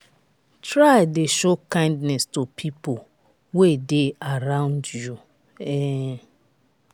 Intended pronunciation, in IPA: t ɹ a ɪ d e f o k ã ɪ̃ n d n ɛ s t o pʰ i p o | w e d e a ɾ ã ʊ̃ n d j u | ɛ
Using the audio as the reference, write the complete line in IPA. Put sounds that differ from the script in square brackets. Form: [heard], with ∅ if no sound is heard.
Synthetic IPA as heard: t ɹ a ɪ d e [ʃ] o k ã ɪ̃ n d n ɛ s t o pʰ i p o | w e d e a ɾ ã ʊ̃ n d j u | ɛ